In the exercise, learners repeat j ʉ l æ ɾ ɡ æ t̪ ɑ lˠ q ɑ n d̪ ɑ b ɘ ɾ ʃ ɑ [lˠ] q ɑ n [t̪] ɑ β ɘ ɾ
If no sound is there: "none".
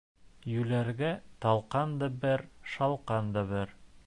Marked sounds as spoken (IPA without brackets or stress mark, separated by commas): lˠ, d̪